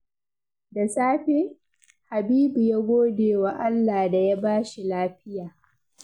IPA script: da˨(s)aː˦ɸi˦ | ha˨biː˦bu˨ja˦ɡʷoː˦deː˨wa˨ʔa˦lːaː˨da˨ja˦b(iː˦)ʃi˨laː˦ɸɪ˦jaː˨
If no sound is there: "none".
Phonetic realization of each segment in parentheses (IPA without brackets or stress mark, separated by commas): s, aː˦